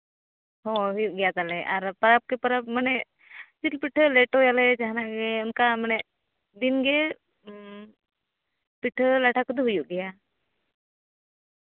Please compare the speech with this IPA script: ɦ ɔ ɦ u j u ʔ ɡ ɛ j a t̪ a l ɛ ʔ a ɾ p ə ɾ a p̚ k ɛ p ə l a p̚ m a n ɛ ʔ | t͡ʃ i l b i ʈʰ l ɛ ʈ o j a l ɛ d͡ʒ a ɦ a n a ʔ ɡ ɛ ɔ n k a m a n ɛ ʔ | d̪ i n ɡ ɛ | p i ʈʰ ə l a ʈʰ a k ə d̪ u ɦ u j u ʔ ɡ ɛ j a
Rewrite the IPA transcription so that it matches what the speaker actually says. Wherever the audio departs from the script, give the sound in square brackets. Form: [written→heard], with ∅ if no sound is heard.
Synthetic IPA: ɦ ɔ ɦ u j u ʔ ɡ ɛ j a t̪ a l ɛ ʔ a ɾ p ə ɾ a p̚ k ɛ p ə [l→ɾ] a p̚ m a n ɛ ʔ | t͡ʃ i l [b→p] i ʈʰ l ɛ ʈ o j a l ɛ d͡ʒ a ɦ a n a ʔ ɡ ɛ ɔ n k a m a n ɛ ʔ | d̪ i n ɡ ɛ | p i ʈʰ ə l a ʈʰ a k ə d̪ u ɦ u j u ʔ ɡ ɛ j a

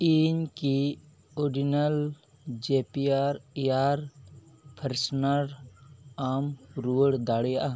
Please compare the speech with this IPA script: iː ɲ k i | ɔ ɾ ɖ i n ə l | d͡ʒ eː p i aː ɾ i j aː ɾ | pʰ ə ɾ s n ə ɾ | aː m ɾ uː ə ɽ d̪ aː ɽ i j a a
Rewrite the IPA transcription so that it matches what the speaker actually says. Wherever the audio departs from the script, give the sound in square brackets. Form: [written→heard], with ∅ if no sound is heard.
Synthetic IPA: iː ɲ k i | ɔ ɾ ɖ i n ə l | d͡ʒ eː p i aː ɾ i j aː ɾ | pʰ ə ɾ s n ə ɾ | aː m ɾ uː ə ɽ d̪ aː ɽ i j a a

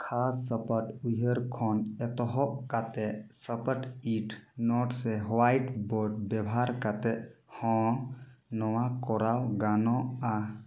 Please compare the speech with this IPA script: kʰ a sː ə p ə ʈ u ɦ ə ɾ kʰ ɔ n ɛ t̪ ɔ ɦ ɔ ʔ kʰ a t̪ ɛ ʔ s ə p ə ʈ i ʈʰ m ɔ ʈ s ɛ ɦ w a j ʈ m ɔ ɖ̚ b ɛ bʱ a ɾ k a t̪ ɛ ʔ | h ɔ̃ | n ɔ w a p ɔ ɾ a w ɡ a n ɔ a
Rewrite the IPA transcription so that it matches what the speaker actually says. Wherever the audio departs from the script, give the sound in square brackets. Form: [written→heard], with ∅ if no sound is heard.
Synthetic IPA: kʰ a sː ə p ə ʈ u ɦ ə ɾ kʰ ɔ n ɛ t̪ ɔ ɦ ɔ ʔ [kʰ→k] a t̪ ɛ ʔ s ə p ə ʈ i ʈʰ [m→n] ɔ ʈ s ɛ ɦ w a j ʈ [m→b] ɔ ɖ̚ b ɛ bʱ a ɾ k a t̪ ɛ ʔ | h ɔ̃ | n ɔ w a [p→k] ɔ ɾ a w ɡ a n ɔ a

